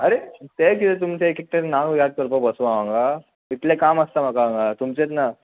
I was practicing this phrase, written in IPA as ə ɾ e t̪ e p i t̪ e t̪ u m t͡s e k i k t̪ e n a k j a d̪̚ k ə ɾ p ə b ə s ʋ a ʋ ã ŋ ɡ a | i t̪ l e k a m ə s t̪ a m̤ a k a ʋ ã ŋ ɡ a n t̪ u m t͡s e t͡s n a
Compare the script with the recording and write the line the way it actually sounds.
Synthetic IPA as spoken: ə ɾ e t̪ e k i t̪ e t̪ u m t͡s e k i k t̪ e n a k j a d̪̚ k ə ɾ p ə b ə s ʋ a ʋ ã ŋ ɡ a | i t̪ l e k a m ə s t̪ a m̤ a k a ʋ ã ŋ ɡ a t̪ u m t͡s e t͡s n a